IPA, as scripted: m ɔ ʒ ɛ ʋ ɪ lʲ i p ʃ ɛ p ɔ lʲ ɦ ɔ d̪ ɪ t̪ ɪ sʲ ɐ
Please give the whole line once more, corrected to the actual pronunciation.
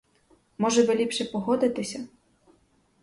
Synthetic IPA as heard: m ɔ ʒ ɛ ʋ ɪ lʲ i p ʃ ɛ p ɔ ɦ ɔ d̪ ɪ t̪ ɪ sʲ ɐ